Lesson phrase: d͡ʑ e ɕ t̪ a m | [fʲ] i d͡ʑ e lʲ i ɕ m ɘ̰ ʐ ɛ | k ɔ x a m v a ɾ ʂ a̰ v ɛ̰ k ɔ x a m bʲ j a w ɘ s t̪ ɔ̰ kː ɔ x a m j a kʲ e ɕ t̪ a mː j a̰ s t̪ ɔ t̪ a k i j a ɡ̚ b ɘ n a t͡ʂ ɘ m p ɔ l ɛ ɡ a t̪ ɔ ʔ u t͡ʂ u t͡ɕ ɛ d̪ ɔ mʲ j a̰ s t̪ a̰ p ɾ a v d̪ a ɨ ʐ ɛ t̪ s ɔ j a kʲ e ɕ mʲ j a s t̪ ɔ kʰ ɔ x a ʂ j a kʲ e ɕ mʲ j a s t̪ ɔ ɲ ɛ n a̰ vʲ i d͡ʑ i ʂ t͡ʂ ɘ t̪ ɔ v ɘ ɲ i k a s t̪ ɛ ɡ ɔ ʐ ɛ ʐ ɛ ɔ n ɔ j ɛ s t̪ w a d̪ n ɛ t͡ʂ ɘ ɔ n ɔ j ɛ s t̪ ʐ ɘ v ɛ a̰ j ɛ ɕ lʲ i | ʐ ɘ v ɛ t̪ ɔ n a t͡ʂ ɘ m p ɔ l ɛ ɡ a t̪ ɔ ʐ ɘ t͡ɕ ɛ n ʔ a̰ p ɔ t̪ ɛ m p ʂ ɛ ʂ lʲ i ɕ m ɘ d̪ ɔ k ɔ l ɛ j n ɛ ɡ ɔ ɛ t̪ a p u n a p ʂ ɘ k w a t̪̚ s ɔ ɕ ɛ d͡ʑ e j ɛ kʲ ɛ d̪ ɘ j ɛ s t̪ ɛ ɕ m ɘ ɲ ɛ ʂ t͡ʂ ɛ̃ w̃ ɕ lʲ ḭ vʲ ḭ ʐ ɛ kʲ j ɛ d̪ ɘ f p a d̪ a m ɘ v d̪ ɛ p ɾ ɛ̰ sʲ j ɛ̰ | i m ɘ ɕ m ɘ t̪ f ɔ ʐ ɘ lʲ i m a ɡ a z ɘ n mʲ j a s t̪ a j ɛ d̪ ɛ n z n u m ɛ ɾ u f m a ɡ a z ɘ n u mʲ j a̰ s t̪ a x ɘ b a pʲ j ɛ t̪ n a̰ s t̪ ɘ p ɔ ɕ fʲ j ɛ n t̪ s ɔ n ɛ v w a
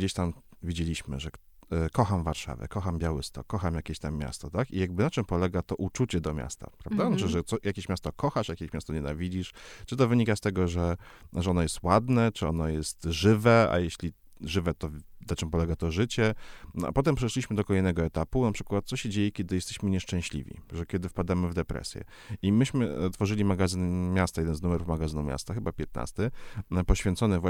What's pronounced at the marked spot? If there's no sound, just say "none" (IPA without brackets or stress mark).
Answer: vʲ